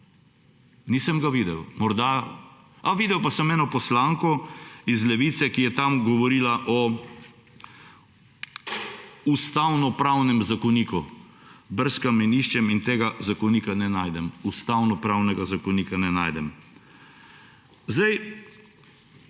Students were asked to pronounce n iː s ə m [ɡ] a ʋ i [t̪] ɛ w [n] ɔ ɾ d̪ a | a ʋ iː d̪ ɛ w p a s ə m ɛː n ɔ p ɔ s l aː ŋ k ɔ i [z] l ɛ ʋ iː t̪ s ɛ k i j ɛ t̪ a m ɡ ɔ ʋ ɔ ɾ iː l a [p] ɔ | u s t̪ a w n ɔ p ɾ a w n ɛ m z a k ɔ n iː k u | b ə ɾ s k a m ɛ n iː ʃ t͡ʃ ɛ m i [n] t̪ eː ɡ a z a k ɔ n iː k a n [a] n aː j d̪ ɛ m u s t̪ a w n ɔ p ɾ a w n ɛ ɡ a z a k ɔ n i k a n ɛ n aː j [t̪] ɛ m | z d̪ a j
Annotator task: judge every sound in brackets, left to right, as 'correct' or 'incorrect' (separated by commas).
correct, incorrect, incorrect, correct, incorrect, correct, incorrect, incorrect